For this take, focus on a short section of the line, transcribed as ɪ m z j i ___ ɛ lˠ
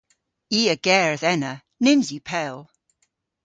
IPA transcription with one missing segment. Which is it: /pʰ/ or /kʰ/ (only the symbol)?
pʰ